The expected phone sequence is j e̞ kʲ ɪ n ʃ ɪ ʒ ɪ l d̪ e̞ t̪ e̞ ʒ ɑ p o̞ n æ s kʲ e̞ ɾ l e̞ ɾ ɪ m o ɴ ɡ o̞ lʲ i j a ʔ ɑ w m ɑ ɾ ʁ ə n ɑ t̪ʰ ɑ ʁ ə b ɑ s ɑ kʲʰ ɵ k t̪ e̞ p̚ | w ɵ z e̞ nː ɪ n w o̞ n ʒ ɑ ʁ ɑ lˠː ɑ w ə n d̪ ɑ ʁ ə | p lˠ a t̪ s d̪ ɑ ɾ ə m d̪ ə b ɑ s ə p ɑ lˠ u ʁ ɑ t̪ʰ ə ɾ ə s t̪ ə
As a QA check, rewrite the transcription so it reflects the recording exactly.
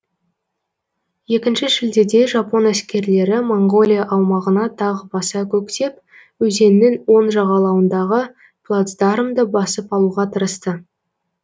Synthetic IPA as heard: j e̞ kʲ ɪ n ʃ ɪ ʒ ɪ l d̪ e̞ d̪ e̞ ʒ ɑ p o̞ n æ s kʲ e̞ ɾ l e̞ ɾ ɪ m o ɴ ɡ o̞ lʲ i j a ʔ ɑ w m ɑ ʁ ə n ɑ t̪ʰ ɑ ʁ ə b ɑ s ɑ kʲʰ ɵ k t̪ e̞ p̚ | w ɵ z e̞ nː ɪ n w o̞ n ʒ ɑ ʁ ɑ lˠ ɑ w ə n d̪ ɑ ʁ ə | p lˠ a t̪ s d̪ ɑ ɾ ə m d̪ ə b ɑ s ə p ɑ lˠ u ʁ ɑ t̪ʰ ə ɾ ə s t̪ ə

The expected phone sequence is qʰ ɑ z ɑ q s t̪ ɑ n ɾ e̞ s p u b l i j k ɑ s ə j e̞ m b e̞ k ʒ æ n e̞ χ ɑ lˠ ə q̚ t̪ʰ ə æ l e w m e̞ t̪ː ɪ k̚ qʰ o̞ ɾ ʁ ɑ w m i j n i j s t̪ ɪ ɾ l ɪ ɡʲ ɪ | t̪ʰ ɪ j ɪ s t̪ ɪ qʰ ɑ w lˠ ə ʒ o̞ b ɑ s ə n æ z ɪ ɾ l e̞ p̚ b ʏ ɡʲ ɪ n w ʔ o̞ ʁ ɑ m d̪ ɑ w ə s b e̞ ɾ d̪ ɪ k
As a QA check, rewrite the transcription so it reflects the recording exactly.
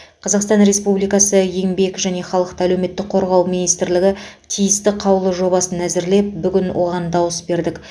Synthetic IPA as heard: qʰ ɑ z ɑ q s t̪ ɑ n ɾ e̞ s p u b l i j k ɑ s ə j e̞ ŋ b e̞ k ʒ æ n e̞ χ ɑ lˠ ə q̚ t̪ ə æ l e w m e̞ t̪ː ɪ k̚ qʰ o̞ ɾ ʁ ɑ w m i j n i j s t̪ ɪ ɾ l ɪ ɡʲ ɪ | t̪ʰ i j ɪ s t̪ ɪ qʰ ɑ w lˠ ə ʒ o̞ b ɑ s ə n æ z ɪ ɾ l e̞ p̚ b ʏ ɡʲ ɪ n w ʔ o̞ ʁ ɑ n d̪ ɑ w ə s b e̞ ɾ d̪ ɪ k

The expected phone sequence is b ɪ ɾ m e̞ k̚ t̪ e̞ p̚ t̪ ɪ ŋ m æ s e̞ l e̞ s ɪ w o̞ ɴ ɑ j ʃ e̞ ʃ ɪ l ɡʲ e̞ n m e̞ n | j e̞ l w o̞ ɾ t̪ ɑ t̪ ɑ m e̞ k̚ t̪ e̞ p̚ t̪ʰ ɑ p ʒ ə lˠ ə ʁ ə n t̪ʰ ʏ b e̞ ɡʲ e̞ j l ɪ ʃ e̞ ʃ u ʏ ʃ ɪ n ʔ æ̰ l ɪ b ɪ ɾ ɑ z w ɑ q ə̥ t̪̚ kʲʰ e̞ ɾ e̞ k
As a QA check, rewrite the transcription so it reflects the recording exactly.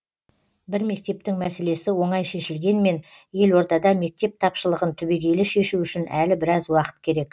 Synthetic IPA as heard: b ɪ ɾ m e̞ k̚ t̪ e̞ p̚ t̪ ɪ ŋ m æ s e̞ l e̞ s ɪ w o̞ ɴ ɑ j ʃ e̞ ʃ ɪ l ɡʲ e̞ n m e̞ n | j e̞ l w o̞ ɾ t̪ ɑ d̪ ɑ m e̞ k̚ t̪ e̞ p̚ t̪ʰ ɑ p ʃ ə lˠ ə ʁ ə n t̪ʰ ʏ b e̞ ɡʲ e̞ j l ɪ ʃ e̞ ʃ u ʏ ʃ ɪ n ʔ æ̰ l ɪ b ɪ ɾ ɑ z w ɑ q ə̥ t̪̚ kʲʰ e̞ ɾ e̞ k

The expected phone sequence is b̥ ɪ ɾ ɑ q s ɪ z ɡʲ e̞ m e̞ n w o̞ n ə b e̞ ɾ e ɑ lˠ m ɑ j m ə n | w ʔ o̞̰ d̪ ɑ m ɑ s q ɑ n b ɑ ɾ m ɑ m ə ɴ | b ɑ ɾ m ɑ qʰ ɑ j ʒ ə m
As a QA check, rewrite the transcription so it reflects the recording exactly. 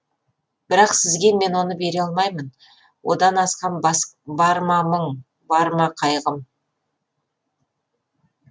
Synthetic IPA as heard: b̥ ɪ ɾ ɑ q s ɪ z ɡʲ e̞ m e̞ n w o̞ n ə b e̞ ɾ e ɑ lˠ m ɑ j m ə n | w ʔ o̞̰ d̪ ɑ n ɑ s q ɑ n b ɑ ɾ m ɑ m ə ɴ | b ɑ ɾ m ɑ qʰ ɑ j ʁ ə m

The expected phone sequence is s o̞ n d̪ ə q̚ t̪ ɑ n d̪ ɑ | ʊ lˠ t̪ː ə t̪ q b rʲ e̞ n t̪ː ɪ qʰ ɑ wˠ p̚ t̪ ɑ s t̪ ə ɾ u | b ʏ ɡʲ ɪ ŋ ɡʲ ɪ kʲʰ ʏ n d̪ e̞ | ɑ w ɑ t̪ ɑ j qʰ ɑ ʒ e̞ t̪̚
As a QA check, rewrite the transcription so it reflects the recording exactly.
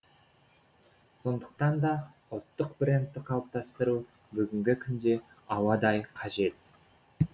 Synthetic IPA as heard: s o̞ n d̪ ə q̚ t̪ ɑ n d̪ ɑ | ʊ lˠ t̪ː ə q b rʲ e̞ n t̪ː ɪ qʰ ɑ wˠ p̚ t̪ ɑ s t̪ ə ɾ u | b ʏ ɡʲ ɪ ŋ ɡʲ ɪ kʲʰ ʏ n d̪ e̞ | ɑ w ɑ d̪ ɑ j qʰ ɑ ʒ e̞ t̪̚

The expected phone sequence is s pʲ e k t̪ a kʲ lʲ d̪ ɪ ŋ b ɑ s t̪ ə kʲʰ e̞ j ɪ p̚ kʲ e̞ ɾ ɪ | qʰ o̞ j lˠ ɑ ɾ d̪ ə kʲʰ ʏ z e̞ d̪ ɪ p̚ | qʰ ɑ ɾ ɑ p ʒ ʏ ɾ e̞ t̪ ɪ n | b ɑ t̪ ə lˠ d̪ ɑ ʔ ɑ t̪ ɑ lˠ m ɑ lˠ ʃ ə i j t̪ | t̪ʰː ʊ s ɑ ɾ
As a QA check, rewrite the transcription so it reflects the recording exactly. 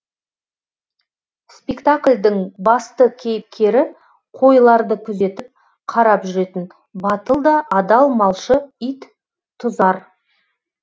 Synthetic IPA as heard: s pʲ e k t̪ a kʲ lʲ d̪ ɪ ŋ b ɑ s t̪ ə kʲʰ e̞ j ɪ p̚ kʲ e̞ ɾ ɪ | qʰ o̞ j lˠ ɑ ɾ d̪ ə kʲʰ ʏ z e̞ t̪ ɪ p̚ | qʰ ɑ ɾ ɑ p ʒ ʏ ɾ e̞ t̪ ɪ n | b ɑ t̪ ə lˠ d̪ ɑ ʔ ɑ d̪ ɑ lˠ m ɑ lˠ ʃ ə i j t̪ | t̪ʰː ʊ z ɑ ɾ

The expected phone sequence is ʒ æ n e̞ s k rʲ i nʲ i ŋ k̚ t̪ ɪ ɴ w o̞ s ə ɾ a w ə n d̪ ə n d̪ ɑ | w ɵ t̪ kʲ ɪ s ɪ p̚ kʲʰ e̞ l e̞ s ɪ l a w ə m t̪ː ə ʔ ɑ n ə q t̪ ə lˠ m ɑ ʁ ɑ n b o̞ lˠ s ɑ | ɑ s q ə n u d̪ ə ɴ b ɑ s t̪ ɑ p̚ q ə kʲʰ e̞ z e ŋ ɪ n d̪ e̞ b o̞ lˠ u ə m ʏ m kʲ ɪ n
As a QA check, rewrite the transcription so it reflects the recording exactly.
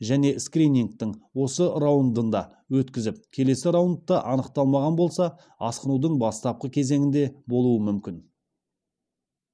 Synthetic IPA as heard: ʒ æ n e̞ s k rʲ i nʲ i ŋ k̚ t̪ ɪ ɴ w o̞ s ə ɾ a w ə n d̪ ə n d̪ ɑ | w ɵ t̪ kʲ ɪ z ɪ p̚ kʲʰ e̞ l e̞ s ɪ ɾ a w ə n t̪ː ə ʔ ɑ n ə q t̪ ɑ lˠ m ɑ ʁ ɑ n b o̞ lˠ s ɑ | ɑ s q ə n u d̪ ə ɴ b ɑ s t̪ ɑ p̚ q ə kʲʰ e̞ z e ŋ ɪ n d̪ e̞ b o̞ lˠ u ə m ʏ m kʲ ɪ n

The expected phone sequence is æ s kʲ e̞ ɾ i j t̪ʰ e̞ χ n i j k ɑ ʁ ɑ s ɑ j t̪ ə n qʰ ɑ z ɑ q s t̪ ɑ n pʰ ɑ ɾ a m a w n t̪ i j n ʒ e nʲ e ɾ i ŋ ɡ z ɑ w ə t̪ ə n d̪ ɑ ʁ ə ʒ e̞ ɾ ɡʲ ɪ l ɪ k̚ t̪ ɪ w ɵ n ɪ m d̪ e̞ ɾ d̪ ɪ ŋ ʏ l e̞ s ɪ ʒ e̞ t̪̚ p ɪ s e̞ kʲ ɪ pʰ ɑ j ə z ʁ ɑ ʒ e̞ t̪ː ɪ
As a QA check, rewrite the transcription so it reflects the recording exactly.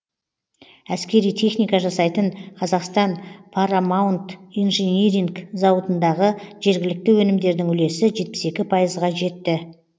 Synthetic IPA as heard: æ s kʲ e̞ ɾ i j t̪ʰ e̞ χ n i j k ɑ ʒ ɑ s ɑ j t̪ ə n qʰ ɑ z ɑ q s t̪ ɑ n pʰ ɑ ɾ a m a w n t̪ i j n ʒ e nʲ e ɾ i ŋ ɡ z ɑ w ə t̪ ə n d̪ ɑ ʁ ə ʒ e̞ ɾ ɡʲ ɪ l ɪ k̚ t̪ ɪ w ɵ n ɪ m d̪ e̞ ɾ d̪ ɪ ŋ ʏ l e̞ s ɪ ʒ e̞ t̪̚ p ɪ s e̞ kʲ ɪ pʰ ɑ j ə z ʁ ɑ ʒ e̞ t̪ː ɪ

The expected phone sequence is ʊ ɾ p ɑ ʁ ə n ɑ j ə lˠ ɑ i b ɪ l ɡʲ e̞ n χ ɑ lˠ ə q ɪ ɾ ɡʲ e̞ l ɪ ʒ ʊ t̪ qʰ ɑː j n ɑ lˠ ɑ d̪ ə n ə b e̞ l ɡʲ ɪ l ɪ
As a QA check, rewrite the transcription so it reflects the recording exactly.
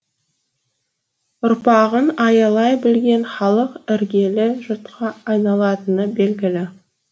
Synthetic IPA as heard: ʊ ɾ p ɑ ʁ ə n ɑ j ɑ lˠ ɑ j b ɪ l ɡʲ e̞ n χ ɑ lˠ ə q ɪ ɾ ɡʲ e̞ l ɪ ʒ ʊ t̪ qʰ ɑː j n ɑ lˠ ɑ t̪ ə n ə b e̞ l ɡʲ ɪ l ɪ

